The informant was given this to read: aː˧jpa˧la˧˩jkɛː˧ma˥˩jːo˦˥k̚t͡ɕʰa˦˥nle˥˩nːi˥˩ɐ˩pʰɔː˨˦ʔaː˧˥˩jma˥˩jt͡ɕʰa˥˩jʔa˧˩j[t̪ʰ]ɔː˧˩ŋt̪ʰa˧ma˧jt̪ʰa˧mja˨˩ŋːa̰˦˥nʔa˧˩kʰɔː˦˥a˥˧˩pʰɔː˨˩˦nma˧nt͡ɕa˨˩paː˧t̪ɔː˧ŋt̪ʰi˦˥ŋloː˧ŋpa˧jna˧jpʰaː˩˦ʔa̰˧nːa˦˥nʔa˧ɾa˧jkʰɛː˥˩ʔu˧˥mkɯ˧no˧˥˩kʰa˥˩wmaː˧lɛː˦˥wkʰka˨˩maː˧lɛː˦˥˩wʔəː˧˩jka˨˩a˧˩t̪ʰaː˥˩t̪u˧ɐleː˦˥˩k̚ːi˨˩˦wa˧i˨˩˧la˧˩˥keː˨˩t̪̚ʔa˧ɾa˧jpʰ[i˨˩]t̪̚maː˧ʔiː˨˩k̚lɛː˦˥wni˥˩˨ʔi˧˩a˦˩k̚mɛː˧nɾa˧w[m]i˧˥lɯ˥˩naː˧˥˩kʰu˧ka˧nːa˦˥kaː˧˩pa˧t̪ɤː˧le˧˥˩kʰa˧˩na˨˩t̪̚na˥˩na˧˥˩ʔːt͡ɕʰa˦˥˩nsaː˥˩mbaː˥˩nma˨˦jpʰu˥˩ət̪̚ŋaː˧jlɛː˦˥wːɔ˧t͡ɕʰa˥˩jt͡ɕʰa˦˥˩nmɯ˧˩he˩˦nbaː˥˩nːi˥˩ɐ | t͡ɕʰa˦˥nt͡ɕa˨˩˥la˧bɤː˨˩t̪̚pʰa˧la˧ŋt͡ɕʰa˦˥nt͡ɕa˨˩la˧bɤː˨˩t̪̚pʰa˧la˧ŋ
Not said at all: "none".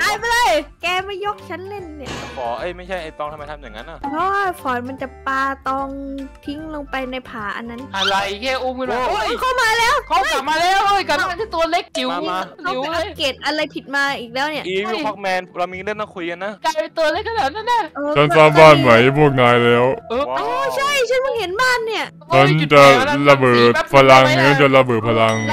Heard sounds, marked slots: t̪, i˨˩, m

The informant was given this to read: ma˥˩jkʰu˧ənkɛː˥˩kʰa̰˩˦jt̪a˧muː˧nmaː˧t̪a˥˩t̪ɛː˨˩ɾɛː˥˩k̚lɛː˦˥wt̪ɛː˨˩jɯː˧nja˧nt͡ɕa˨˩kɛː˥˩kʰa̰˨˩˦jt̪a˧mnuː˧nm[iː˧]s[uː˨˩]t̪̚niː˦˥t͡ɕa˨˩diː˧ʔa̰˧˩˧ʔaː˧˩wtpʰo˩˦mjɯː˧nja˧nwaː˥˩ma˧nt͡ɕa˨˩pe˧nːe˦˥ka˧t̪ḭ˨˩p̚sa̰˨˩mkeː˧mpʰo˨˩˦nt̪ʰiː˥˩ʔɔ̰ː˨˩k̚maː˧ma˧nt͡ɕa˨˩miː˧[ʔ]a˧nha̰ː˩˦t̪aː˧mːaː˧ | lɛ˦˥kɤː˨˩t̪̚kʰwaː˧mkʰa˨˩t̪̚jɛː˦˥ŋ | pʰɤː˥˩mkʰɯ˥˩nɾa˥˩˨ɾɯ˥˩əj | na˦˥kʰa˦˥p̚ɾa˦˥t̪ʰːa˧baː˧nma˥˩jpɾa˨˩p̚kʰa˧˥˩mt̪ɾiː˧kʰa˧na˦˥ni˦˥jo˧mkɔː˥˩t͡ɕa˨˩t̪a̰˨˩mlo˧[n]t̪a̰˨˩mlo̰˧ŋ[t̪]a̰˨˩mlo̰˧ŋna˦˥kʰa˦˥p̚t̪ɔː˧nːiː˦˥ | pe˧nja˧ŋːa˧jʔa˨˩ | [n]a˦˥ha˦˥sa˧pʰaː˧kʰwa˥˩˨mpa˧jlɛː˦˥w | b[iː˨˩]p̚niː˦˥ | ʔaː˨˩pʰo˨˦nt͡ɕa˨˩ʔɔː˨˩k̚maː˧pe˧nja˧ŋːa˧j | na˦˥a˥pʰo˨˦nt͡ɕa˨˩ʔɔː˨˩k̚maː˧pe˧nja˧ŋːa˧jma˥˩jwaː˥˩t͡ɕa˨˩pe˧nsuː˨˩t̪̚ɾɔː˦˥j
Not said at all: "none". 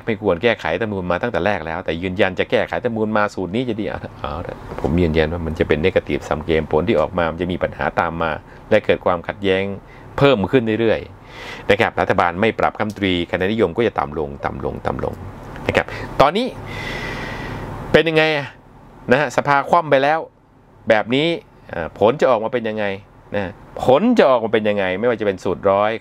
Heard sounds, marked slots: aː˧, uː˨˩, p, ŋ, t̪, n, ɛː˨˩

